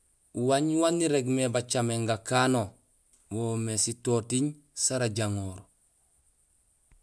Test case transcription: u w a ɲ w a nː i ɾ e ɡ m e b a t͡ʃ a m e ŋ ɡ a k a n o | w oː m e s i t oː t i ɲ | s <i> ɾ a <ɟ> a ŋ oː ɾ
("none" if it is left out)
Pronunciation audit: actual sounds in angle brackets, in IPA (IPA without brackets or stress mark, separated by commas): a, ɟ